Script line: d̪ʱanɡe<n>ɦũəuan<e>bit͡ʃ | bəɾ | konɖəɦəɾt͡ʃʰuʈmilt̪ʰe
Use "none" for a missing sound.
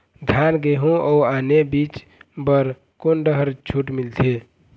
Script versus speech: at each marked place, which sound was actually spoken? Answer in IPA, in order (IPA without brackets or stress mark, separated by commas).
none, e